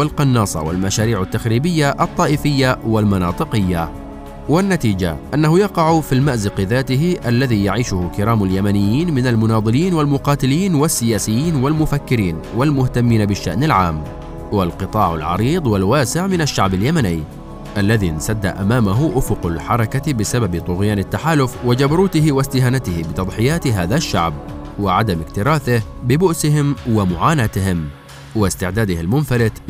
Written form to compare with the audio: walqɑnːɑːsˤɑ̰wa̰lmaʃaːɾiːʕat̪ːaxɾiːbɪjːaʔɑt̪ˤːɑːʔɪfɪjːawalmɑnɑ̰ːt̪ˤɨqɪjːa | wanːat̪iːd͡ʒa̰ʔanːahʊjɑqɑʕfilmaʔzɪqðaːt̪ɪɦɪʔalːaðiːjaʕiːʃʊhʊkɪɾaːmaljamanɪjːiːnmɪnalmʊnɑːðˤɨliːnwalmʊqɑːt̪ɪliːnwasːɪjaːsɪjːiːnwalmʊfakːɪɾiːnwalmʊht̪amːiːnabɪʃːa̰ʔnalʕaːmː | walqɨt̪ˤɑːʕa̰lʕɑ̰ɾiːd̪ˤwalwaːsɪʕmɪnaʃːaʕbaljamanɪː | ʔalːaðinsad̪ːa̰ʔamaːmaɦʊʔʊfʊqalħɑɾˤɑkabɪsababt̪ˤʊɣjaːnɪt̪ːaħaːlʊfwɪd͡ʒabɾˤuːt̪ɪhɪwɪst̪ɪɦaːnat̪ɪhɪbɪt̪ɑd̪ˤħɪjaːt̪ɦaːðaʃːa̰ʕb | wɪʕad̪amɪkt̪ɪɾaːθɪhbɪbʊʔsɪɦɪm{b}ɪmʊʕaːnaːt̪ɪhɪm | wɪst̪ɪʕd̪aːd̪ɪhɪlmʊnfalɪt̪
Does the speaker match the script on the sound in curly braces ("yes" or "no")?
no